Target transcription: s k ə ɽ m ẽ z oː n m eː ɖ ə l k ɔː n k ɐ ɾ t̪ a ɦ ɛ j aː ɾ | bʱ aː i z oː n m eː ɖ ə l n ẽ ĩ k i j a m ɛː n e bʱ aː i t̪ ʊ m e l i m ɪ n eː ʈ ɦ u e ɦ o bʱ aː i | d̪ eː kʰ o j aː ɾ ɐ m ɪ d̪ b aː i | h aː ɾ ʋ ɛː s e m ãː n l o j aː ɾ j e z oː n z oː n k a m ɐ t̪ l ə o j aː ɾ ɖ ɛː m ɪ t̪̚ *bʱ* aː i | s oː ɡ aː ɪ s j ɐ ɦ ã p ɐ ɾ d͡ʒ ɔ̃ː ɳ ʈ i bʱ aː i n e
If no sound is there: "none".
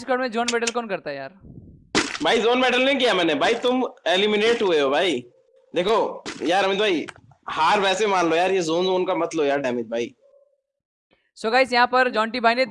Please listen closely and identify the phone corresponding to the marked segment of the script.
bʱ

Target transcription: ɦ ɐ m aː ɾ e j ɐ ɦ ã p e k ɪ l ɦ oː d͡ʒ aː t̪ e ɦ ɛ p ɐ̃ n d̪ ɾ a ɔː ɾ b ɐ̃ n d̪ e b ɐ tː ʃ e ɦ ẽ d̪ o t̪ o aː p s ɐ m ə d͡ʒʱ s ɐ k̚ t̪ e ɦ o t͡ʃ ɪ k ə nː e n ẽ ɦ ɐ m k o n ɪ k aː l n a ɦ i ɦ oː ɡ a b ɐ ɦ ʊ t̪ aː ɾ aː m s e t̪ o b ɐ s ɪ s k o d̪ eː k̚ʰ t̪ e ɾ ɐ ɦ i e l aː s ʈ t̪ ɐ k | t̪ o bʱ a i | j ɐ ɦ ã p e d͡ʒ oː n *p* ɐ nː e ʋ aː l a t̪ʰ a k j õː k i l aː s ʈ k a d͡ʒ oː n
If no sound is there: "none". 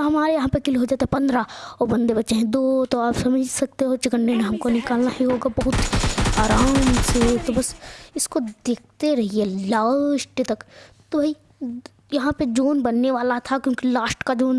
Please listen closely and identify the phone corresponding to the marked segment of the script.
b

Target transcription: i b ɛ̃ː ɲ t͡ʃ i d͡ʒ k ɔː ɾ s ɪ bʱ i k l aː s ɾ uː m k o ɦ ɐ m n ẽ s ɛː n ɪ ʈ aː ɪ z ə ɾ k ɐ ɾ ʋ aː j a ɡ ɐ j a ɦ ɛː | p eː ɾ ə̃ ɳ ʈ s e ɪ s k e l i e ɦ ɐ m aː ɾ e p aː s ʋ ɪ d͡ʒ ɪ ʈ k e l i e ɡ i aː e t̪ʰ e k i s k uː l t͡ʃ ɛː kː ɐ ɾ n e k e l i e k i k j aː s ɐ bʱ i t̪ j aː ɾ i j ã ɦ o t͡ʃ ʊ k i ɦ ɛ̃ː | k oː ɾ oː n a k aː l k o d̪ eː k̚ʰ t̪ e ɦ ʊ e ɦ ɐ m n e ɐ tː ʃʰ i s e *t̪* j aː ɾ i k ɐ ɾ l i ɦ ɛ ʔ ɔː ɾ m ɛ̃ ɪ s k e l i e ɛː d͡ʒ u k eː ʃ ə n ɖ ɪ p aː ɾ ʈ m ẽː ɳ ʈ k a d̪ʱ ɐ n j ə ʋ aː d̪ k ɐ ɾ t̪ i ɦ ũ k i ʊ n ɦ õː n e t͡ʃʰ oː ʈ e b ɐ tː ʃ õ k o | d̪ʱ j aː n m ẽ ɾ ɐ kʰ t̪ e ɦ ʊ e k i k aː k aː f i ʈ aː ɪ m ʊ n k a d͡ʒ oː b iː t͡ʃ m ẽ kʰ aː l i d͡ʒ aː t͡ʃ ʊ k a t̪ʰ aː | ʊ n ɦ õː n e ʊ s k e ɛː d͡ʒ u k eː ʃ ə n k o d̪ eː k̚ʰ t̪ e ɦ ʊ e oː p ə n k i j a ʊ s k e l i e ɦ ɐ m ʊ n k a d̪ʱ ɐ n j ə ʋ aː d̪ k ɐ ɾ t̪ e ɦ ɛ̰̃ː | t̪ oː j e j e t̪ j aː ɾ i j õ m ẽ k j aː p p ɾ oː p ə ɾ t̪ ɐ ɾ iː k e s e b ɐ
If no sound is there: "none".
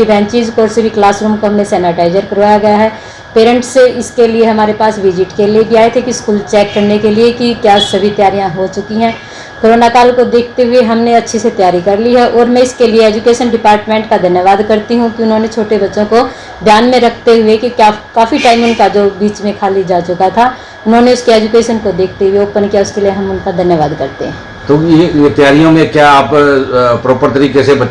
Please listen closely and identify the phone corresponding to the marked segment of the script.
t̪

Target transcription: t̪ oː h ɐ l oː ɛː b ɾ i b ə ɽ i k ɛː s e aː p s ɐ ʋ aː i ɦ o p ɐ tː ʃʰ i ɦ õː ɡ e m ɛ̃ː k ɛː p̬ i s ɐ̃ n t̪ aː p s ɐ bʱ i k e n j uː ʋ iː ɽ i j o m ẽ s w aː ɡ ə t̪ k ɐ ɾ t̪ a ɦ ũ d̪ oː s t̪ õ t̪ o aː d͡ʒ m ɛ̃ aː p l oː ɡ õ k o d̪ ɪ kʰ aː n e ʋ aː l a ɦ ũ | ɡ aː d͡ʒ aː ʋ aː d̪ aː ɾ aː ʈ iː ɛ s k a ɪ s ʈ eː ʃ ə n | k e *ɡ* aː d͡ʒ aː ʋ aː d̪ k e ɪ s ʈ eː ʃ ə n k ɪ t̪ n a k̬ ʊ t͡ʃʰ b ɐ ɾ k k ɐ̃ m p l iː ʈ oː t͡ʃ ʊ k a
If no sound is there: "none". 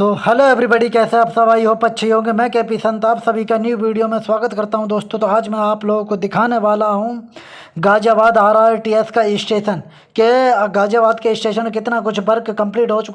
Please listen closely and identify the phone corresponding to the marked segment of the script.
ɡ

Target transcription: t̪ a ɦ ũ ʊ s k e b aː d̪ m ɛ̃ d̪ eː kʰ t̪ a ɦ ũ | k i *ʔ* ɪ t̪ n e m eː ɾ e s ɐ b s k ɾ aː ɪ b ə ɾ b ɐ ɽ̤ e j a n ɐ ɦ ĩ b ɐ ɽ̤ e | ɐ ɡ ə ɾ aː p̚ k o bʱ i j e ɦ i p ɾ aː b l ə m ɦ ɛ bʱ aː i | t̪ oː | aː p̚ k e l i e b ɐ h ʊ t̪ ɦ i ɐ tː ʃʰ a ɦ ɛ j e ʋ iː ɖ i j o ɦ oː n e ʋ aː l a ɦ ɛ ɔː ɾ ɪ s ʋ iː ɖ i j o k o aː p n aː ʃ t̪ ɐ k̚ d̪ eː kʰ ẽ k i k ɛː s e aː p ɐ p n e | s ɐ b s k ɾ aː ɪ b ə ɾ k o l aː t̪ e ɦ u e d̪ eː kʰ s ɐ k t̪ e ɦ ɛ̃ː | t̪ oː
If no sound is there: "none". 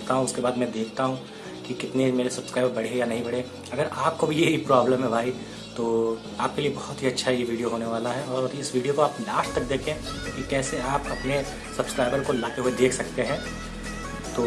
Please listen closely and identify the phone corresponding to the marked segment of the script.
k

